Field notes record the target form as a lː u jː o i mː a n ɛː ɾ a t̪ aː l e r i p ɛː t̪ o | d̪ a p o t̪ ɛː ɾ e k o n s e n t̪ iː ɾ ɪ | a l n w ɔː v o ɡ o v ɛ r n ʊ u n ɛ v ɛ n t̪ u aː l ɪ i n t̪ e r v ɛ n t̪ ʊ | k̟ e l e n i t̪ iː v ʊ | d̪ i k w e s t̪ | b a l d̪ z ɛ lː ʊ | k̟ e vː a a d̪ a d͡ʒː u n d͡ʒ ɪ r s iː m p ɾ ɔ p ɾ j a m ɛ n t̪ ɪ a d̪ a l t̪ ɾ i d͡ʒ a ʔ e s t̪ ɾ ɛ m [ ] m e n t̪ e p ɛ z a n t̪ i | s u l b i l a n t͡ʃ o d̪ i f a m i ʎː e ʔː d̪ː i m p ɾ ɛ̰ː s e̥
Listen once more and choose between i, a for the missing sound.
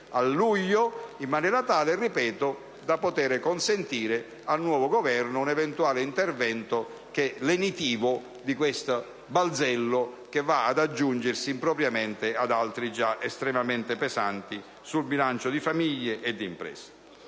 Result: a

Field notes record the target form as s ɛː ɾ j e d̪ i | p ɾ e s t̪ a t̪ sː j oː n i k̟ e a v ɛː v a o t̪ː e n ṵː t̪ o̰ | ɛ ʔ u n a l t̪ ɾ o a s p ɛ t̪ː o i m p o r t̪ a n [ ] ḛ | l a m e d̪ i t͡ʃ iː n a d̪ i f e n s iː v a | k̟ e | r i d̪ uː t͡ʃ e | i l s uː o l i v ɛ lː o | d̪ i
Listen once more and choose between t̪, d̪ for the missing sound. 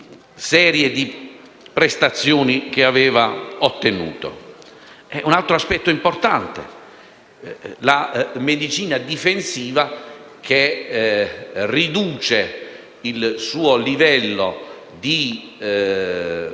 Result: t̪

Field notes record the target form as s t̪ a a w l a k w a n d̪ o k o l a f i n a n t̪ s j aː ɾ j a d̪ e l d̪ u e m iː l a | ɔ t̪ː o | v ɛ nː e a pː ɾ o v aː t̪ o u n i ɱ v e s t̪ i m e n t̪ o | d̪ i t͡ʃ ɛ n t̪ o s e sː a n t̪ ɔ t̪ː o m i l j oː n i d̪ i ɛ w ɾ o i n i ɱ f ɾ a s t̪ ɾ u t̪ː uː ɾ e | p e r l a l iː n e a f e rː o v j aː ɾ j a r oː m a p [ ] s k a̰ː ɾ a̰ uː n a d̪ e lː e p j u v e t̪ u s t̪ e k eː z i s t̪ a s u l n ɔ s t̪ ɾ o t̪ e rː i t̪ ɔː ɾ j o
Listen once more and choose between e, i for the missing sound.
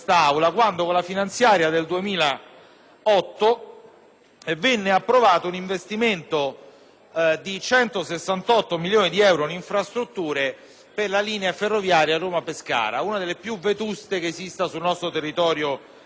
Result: e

